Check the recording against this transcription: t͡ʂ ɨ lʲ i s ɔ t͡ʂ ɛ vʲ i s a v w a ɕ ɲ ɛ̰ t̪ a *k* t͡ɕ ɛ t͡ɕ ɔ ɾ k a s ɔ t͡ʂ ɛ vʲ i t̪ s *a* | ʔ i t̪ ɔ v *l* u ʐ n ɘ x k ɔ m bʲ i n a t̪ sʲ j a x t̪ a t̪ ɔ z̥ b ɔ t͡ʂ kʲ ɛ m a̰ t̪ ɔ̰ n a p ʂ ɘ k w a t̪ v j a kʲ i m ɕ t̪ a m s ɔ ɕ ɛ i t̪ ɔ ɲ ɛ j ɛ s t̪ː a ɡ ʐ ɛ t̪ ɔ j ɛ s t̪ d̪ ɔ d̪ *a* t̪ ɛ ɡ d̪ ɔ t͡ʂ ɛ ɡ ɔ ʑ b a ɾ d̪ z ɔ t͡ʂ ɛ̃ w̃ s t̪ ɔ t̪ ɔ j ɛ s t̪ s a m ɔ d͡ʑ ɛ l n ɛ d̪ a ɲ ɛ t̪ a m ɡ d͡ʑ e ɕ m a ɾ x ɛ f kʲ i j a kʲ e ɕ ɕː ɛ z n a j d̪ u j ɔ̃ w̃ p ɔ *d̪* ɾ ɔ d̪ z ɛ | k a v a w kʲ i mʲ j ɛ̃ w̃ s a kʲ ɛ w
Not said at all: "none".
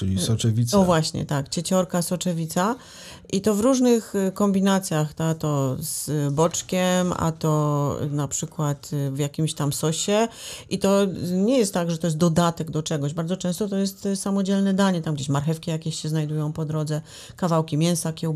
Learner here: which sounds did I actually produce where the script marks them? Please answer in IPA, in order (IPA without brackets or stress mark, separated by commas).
k, a, ɾ, a, d̪